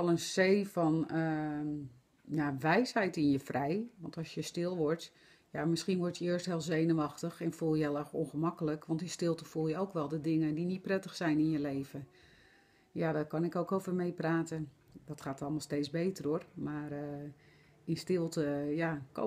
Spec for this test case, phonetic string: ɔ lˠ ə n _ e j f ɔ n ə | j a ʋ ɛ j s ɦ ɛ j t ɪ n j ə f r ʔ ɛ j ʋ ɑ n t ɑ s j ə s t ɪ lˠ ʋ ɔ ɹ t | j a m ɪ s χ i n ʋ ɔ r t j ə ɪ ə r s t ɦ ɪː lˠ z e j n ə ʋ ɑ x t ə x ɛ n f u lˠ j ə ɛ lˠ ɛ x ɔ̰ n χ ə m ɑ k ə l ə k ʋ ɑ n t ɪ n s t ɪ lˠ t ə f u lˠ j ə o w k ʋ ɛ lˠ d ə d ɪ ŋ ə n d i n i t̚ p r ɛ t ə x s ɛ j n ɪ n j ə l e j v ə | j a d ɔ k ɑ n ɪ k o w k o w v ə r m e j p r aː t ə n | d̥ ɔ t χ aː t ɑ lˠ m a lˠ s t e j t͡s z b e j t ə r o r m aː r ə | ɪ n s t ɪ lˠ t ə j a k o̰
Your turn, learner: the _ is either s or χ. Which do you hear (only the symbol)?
s